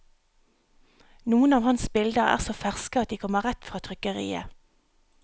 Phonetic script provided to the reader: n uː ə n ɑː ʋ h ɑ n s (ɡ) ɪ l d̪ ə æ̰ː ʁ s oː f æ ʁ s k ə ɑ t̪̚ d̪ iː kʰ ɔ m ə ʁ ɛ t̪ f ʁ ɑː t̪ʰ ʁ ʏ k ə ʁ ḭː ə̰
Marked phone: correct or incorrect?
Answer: incorrect